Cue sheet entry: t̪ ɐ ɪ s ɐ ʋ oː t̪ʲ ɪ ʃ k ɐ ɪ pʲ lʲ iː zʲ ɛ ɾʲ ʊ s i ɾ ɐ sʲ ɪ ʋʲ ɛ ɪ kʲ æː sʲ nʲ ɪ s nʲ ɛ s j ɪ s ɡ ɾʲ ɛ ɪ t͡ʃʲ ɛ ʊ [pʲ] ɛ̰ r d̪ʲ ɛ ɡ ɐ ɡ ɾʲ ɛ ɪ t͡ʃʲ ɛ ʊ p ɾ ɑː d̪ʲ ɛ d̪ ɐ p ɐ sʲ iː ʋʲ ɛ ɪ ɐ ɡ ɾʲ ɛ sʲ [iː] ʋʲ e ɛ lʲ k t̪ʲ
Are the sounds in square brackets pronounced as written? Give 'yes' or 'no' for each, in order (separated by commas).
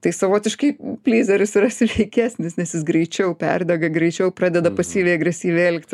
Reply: yes, yes